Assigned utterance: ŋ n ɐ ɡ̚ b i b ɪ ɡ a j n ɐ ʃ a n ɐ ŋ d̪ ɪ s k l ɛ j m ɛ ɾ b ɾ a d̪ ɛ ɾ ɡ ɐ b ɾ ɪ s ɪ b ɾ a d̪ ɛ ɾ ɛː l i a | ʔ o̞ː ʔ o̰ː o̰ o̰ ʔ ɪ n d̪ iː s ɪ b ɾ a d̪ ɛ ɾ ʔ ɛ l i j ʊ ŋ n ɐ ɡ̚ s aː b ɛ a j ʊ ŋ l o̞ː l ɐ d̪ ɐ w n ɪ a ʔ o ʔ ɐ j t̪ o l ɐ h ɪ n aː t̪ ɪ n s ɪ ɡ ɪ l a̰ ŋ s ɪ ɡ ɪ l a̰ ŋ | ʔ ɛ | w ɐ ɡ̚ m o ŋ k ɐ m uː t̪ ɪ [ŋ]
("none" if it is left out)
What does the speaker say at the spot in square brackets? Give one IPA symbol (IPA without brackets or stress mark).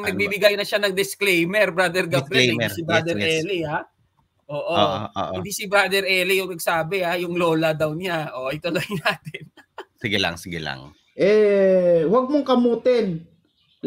n